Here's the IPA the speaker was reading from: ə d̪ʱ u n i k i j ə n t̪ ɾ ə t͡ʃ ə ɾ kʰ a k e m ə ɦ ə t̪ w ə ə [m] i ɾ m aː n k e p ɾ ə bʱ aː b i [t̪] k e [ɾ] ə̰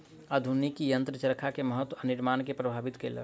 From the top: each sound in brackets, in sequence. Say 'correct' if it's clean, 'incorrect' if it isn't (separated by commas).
incorrect, correct, incorrect